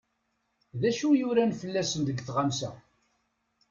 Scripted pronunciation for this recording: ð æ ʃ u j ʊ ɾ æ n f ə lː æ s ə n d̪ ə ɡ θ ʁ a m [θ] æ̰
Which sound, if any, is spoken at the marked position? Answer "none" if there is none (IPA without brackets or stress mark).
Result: s